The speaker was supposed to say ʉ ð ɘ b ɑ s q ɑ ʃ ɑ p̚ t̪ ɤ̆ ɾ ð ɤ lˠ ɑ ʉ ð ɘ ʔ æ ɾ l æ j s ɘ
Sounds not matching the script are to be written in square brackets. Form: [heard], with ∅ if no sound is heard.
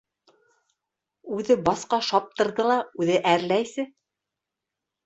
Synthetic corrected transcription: ʉ ð ɘ b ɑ s q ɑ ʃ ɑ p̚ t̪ ɤ̆ ɾ ð ɤ lˠ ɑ ʉ ð ɘ ʔ æ ɾ l æ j s ɘ